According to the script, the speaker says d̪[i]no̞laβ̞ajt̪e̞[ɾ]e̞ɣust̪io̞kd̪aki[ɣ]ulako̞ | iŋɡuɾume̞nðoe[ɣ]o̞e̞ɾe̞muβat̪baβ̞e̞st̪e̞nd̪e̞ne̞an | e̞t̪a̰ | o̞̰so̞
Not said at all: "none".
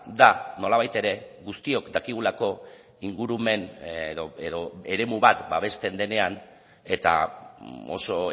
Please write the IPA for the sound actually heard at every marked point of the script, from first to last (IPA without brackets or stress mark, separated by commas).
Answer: a, ɾ, ɣ, ð